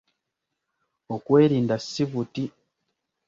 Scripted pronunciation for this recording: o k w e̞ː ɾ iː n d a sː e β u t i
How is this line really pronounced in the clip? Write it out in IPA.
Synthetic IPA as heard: o k w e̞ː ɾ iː n d a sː i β u t i